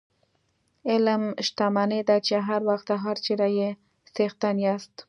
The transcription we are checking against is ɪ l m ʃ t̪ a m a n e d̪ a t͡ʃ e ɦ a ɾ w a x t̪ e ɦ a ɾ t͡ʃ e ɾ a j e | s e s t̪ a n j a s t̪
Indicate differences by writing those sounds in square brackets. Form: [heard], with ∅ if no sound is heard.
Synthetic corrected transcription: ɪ l m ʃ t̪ a m a n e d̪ a t͡ʃ e ɦ a ɾ w a x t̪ [a] ɦ a ɾ t͡ʃ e ɾ a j e | s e [x] t̪ a n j a s t̪